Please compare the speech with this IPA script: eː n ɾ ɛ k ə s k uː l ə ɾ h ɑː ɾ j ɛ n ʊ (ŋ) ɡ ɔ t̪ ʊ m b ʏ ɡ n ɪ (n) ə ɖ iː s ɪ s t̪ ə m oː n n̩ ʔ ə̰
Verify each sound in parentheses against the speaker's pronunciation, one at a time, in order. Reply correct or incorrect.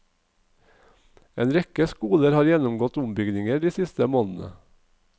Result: incorrect: m, incorrect: ŋ

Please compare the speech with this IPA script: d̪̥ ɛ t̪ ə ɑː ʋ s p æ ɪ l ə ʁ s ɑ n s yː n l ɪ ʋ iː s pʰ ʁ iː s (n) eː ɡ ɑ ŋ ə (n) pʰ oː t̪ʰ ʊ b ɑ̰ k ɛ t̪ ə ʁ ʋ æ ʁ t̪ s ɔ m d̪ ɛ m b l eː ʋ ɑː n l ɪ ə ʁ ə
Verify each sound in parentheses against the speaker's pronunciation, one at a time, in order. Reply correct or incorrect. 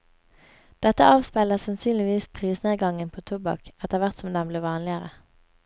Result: correct, correct

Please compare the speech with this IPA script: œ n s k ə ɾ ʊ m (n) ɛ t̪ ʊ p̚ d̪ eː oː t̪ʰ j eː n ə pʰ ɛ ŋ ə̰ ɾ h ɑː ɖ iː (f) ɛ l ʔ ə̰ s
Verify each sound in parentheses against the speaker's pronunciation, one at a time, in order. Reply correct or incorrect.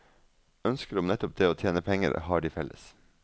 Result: correct, correct

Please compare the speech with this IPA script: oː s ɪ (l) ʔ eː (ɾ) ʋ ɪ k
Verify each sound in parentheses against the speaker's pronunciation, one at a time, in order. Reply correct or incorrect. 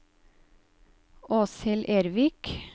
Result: correct, correct

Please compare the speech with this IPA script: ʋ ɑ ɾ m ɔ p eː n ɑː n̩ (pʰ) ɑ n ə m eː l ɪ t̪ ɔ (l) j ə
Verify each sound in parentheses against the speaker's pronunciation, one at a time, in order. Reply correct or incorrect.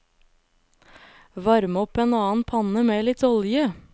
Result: correct, correct

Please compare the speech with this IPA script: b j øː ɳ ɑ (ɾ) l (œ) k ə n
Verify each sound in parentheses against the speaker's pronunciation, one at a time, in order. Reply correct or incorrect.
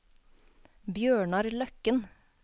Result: correct, correct

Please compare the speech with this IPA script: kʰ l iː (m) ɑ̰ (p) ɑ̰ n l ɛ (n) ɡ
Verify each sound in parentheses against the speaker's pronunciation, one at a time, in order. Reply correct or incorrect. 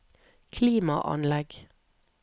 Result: correct, incorrect: ʔ, incorrect: none

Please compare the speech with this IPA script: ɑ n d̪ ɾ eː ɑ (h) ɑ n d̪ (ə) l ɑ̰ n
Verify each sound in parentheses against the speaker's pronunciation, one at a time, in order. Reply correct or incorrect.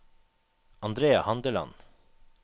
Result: correct, correct

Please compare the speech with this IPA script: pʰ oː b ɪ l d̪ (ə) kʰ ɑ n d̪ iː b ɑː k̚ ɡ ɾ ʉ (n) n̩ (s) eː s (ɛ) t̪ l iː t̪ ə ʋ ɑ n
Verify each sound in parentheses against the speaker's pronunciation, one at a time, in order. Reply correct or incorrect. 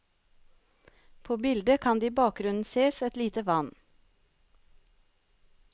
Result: correct, correct, correct, correct

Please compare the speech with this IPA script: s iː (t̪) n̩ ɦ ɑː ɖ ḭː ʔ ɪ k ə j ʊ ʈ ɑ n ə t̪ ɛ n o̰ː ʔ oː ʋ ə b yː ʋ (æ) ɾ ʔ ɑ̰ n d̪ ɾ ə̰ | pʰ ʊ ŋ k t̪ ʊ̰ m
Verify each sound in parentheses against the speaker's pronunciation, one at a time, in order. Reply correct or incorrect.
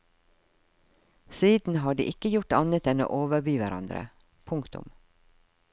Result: incorrect: d̪, correct

